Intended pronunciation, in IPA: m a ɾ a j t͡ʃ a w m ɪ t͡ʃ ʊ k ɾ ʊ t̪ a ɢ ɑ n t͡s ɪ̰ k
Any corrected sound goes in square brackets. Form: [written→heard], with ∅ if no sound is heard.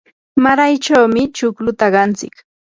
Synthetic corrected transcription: m a ɾ a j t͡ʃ a w m ɪ t͡ʃ ʊ k [ɾ→l] ʊ t̪ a ɢ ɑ n t͡s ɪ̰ k